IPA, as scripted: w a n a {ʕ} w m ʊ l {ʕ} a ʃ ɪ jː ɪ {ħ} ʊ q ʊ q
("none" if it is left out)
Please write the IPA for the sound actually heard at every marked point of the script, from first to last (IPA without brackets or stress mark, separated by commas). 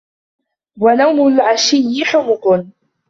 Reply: none, ʕ, ħ